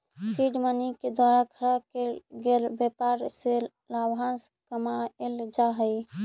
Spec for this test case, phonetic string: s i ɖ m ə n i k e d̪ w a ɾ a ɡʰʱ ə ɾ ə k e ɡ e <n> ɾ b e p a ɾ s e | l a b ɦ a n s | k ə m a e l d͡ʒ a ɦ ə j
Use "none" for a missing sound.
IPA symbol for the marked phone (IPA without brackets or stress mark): none